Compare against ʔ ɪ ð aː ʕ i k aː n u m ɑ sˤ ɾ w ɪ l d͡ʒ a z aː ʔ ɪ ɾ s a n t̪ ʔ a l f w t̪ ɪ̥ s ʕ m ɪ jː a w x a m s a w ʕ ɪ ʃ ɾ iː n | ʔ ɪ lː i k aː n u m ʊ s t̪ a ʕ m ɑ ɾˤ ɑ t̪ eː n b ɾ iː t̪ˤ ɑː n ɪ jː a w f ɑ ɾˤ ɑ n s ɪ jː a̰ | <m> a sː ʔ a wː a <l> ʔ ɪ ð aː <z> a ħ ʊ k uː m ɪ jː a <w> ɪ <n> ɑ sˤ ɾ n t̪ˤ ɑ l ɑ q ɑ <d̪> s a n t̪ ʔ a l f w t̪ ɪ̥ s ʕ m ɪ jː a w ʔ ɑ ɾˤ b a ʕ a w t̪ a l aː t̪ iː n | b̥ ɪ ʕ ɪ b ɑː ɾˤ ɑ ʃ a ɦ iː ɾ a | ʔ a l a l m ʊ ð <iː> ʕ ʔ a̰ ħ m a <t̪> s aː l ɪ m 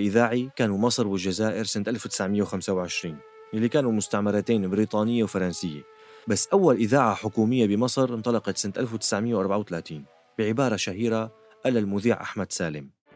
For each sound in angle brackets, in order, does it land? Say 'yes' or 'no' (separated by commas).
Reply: no, yes, no, no, no, no, yes, no